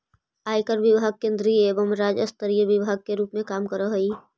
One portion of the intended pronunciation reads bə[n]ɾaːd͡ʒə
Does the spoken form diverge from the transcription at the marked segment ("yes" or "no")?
yes